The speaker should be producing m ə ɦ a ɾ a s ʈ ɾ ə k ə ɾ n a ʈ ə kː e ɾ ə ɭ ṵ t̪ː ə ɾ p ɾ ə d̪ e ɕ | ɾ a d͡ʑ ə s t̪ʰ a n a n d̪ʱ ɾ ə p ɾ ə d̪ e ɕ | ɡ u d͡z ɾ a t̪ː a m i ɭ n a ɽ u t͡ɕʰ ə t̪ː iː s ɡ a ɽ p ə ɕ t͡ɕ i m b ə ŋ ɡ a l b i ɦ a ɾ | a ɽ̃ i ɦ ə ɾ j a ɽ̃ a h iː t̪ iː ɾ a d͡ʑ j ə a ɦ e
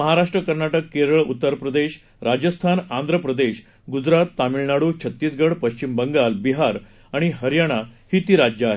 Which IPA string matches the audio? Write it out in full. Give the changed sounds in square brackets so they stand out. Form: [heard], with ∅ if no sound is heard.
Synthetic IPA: m ə ɦ a ɾ a [ʂ] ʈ ɾ ə k ə ɾ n a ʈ ə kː e ɾ ə ɭ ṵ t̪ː ə ɾ p ɾ ə d̪ e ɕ | ɾ a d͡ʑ ə s t̪ʰ a n a n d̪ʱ ɾ ə p ɾ ə d̪ e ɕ | ɡ u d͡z ɾ a t̪ː a m i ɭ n a ɽ u t͡ɕʰ ə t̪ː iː s ɡ [ə] ɽ p ə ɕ t͡ɕ i m b ə ŋ ɡ a l b i ɦ a ɾ | a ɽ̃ i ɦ ə ɾ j a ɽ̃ a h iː t̪ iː ɾ a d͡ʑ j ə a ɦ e